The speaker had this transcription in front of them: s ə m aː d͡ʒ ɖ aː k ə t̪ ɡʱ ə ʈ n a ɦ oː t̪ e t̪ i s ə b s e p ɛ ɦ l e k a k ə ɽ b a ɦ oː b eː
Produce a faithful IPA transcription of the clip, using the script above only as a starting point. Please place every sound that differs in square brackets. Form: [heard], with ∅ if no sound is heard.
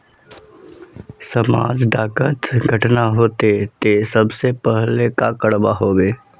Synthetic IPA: s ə m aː d͡ʒ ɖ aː k ə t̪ ɡʱ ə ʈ n a ɦ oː t̪ e t̪ [e] s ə b s e p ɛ ɦ l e k a k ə ɽ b a ɦ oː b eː